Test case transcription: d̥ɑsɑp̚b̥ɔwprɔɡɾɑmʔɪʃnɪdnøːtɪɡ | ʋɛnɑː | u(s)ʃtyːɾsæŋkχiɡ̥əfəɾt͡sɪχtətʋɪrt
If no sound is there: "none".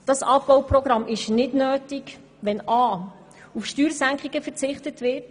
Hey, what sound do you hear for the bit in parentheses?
f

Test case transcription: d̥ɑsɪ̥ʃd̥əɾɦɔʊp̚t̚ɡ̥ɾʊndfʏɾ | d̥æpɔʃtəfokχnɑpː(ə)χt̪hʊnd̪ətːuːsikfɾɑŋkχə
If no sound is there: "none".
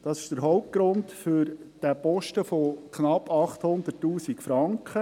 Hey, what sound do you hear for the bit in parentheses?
ɑ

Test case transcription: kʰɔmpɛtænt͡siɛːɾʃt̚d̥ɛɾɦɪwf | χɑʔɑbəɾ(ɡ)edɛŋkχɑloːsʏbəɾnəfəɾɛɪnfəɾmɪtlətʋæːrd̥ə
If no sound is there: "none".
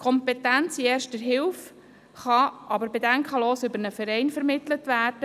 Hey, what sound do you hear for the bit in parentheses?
b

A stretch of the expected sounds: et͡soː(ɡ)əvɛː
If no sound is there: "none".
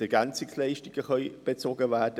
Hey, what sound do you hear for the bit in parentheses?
ɡ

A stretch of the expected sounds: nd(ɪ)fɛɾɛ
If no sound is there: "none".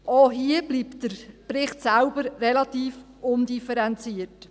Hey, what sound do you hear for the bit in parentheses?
i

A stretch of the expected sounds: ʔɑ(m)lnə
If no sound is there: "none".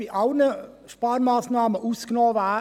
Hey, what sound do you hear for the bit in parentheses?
none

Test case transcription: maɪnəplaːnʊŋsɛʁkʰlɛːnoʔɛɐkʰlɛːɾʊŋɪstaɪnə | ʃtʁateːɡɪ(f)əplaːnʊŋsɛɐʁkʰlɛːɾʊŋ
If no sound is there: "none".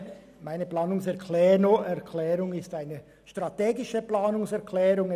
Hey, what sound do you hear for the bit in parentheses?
ʃ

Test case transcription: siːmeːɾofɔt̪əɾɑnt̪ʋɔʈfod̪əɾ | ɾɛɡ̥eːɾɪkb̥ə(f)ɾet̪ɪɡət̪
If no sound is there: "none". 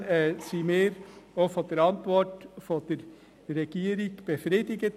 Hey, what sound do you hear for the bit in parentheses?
f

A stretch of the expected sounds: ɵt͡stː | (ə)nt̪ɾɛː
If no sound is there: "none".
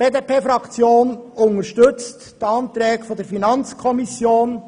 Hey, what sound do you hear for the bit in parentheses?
ɑ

